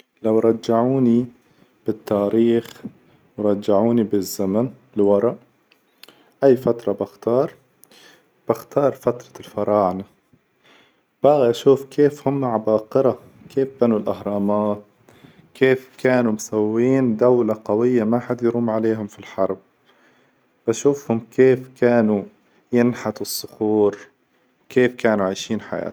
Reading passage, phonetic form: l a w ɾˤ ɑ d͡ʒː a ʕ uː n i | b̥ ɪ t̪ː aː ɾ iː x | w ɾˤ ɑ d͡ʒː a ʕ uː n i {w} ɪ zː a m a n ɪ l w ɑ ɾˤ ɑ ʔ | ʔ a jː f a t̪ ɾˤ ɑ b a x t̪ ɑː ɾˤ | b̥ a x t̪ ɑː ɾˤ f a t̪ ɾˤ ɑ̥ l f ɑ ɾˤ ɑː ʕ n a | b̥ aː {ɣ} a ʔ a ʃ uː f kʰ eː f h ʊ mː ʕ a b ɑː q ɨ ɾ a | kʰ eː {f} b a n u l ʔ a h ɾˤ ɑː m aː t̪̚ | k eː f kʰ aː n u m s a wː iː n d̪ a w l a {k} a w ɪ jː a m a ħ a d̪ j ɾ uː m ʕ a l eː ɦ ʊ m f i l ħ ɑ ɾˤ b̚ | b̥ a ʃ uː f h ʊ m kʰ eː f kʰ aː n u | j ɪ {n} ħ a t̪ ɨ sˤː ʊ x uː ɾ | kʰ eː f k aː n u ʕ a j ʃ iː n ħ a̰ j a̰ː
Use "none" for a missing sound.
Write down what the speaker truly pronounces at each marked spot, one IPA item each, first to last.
b, ɣ, f, q, n

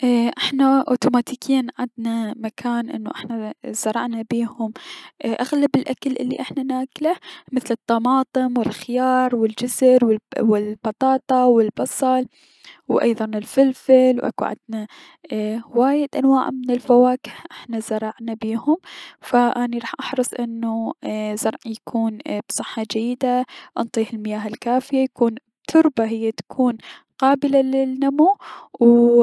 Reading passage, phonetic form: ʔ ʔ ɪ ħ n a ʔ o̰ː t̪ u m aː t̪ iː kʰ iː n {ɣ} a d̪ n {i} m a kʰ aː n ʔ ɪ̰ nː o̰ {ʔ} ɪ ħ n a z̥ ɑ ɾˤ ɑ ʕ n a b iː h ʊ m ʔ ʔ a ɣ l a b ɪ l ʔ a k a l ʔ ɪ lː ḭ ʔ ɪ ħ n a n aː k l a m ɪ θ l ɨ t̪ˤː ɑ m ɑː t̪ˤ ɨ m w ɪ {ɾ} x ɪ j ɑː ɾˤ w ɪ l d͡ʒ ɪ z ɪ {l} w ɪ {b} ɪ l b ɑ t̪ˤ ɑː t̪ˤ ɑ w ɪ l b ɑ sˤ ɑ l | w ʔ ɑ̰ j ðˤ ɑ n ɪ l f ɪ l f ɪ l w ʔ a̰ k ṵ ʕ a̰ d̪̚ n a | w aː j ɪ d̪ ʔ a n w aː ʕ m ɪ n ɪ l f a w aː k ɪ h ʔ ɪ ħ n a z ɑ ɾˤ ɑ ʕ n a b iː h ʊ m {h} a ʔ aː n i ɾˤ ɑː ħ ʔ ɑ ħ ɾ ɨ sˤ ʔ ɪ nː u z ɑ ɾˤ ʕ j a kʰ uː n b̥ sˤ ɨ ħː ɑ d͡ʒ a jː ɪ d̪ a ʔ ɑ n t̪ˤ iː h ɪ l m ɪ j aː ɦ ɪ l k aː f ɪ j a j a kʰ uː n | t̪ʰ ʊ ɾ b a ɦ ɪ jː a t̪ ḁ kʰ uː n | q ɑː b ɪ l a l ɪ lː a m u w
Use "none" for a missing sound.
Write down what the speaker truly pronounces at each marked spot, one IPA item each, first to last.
ʕ, a, ʔ, l, ɾ, w, f

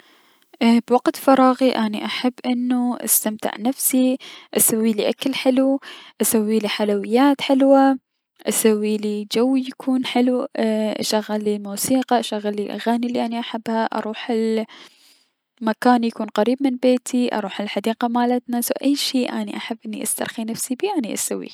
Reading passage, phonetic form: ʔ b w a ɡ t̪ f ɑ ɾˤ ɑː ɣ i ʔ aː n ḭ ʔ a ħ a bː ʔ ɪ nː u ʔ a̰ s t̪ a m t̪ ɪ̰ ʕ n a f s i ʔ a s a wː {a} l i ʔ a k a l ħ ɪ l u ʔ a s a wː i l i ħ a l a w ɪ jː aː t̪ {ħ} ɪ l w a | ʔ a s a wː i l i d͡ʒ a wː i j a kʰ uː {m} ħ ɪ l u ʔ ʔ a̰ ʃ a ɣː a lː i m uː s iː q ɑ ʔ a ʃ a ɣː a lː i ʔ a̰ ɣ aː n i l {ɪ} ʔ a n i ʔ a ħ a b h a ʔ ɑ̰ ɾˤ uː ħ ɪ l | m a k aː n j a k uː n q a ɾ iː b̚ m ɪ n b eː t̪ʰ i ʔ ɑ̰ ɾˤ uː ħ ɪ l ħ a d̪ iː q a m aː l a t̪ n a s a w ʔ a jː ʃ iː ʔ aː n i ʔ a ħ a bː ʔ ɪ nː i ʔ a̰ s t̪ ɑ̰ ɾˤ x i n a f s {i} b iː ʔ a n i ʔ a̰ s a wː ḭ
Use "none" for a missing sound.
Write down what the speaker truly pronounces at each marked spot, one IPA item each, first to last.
i, ħ, n, i, i

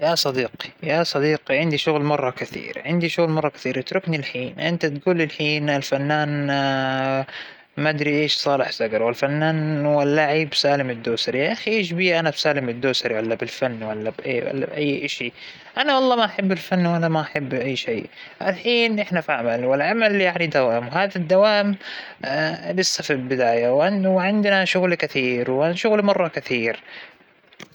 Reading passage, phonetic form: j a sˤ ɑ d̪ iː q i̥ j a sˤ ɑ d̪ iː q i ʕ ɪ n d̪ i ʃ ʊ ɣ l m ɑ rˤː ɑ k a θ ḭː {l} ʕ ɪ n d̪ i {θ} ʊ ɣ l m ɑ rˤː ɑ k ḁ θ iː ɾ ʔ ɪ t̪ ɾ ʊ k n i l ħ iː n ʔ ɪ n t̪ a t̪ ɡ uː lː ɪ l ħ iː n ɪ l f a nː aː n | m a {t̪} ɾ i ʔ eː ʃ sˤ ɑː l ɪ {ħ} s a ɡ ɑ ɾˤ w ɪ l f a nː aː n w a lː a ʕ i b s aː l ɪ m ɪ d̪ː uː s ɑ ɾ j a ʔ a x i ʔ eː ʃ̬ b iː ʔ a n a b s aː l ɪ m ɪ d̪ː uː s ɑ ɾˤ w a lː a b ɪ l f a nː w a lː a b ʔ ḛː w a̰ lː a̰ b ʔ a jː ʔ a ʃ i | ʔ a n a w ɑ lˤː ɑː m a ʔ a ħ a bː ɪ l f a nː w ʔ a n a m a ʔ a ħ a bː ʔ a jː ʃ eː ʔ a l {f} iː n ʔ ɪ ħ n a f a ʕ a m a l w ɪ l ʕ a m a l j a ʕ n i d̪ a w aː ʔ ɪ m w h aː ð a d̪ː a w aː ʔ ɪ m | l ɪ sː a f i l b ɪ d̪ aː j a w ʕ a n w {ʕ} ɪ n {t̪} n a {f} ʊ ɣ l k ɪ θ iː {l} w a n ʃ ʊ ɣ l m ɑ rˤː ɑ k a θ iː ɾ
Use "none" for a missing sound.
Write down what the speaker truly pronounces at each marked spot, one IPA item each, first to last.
ɾ, ʃ, d̪, ħ, ħ, ʕ, d̪, ʃ, ɾ

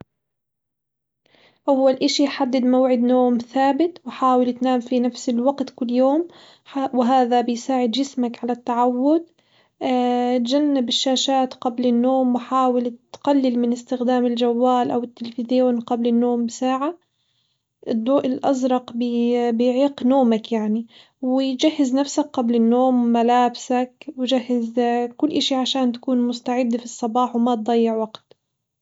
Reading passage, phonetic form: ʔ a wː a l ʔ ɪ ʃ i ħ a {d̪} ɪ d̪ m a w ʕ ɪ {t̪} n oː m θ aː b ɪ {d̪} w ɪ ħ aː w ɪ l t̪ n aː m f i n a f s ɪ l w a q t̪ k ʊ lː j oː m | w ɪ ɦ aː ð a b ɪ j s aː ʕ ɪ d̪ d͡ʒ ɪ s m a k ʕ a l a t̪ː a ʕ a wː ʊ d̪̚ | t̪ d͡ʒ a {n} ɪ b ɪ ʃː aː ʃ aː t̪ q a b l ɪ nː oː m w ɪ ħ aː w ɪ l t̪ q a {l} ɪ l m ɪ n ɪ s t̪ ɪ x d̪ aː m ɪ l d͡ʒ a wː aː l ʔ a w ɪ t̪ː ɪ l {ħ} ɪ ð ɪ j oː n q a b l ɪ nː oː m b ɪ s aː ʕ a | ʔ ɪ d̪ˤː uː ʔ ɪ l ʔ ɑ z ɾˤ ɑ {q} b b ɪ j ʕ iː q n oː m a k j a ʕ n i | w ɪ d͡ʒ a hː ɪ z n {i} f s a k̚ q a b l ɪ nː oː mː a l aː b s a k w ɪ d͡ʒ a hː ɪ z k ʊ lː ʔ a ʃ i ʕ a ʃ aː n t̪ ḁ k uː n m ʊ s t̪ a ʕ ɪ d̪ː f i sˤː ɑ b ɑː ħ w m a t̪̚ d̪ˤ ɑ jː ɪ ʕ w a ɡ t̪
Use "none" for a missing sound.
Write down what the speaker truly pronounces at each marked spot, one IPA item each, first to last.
d̪ː, d̪, t̪, nː, lː, f, q, a

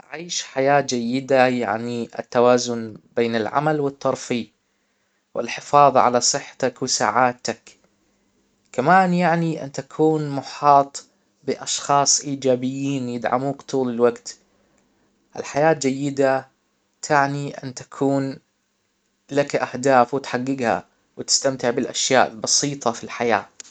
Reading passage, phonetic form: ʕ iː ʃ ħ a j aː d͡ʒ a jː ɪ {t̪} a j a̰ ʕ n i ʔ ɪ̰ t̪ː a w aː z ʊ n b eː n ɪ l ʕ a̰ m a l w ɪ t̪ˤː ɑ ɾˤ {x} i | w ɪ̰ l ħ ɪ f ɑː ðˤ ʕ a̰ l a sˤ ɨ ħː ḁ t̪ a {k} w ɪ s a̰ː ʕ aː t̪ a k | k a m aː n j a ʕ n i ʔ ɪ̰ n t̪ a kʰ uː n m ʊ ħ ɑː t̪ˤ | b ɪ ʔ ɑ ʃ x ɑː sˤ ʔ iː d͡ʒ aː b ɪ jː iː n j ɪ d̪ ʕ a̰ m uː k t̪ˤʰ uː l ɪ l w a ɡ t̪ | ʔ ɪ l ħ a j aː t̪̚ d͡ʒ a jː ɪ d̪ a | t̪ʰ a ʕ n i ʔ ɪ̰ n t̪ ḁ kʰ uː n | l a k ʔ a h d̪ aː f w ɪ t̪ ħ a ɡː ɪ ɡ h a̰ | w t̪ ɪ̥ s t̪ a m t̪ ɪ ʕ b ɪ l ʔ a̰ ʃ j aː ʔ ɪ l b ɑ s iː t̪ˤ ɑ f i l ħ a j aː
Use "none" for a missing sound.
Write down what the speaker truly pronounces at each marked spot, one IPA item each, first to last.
d̪, f, k

